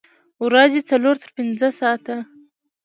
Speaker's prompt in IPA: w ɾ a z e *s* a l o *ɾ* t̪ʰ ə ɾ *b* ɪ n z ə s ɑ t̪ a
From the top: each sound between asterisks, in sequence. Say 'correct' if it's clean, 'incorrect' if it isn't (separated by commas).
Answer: incorrect, correct, incorrect